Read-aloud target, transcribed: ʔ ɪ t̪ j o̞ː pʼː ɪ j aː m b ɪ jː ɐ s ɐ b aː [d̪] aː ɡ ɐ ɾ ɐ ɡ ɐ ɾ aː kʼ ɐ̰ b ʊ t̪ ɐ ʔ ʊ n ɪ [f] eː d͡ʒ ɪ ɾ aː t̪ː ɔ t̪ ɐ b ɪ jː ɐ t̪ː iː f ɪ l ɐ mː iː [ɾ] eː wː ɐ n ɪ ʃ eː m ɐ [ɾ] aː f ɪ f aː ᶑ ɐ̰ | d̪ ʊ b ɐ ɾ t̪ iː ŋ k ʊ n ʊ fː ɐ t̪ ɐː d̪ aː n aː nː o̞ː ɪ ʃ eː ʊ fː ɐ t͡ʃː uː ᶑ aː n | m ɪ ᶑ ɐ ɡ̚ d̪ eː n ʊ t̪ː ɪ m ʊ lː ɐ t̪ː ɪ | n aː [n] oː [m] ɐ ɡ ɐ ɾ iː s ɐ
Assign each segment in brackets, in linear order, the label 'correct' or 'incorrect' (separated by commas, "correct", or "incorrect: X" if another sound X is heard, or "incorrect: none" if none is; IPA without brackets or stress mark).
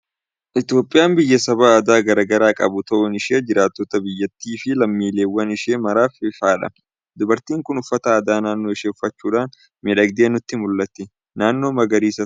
correct, incorrect: ʃ, incorrect: l, correct, incorrect: nː, correct